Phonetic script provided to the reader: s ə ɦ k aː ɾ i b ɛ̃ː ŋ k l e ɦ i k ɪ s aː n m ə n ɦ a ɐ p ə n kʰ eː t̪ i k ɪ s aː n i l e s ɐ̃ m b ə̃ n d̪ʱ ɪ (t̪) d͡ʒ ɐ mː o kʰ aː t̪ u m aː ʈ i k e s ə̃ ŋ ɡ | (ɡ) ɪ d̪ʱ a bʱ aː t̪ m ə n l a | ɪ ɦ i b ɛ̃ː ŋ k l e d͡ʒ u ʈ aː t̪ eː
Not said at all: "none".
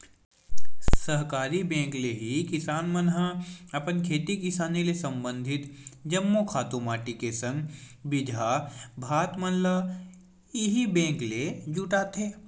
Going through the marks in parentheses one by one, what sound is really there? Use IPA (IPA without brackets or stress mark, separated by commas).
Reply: t̪, b